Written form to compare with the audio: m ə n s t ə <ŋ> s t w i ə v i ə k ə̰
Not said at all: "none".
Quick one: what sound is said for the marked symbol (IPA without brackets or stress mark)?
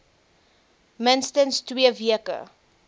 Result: n